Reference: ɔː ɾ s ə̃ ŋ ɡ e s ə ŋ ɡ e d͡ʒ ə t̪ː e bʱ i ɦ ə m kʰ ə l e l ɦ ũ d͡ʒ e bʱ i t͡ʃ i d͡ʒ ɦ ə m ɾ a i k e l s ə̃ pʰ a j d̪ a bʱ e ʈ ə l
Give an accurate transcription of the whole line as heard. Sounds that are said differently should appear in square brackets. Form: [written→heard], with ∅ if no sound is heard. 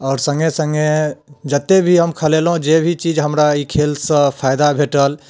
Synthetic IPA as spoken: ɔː ɾ s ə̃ ŋ ɡ e s ə ŋ ɡ e d͡ʒ ə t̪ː e bʱ i ɦ ə m kʰ ə l e l ɦ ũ d͡ʒ e bʱ i t͡ʃ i d͡ʒ ɦ ə m ɾ a i [k→kʰ] e l s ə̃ pʰ a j d̪ a bʱ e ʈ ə l